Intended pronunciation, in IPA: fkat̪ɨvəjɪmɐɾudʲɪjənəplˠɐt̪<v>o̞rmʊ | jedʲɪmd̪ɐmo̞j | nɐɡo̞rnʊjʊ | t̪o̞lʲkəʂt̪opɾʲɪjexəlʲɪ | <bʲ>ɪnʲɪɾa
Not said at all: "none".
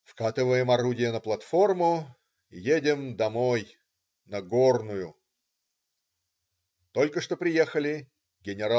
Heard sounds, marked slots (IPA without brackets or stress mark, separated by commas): f, ɡʲ